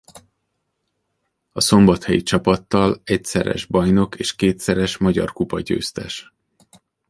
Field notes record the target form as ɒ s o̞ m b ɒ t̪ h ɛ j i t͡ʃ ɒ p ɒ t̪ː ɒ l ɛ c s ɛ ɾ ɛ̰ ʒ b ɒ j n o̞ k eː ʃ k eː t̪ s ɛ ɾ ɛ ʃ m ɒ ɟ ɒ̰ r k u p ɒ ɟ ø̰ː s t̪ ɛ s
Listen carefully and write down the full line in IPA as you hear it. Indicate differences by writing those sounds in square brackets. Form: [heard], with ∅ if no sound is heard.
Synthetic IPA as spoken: ɒ s o̞ m b ɒ t̪ h ɛ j i t͡ʃ ɒ p ɒ t̪ː ɒ l ɛ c s ɛ ɾ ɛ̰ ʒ b ɒ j n o̞ k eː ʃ k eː t̪ s ɛ ɾ ɛ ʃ m ɒ ɟ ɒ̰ r k u p ɒ ɟ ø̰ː s t̪ ɛ [ʃ]